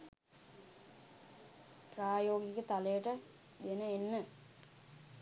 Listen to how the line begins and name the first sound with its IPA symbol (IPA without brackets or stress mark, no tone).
p